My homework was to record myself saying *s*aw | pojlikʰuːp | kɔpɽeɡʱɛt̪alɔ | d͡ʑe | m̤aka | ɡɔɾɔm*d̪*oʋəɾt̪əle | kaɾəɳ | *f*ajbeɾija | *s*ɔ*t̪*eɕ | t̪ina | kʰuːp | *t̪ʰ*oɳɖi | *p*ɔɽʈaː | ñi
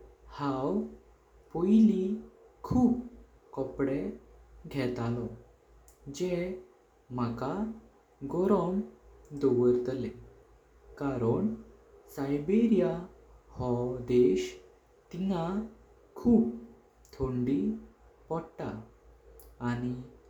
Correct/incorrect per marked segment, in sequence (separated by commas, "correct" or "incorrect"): incorrect, correct, incorrect, incorrect, incorrect, correct, correct